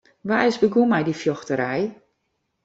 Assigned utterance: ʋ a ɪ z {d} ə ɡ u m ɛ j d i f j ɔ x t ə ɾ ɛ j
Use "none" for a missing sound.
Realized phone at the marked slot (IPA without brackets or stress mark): b